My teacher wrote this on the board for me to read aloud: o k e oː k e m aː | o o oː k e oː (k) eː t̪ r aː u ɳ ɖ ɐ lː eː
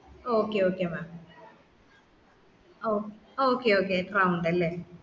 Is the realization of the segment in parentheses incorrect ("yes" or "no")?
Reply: no